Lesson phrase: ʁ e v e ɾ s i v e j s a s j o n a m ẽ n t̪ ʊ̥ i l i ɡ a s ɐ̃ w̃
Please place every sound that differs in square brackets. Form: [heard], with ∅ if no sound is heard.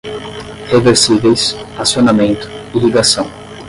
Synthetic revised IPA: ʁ e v e ɾ s i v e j s a s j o n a m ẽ n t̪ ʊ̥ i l i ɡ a s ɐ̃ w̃